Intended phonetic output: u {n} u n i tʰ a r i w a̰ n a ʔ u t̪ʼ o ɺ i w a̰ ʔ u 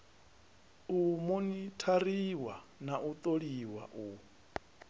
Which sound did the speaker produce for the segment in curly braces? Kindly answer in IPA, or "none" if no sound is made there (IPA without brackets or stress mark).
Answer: m